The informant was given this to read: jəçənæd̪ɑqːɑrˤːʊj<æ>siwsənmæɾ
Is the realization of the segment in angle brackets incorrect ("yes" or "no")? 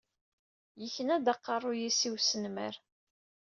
yes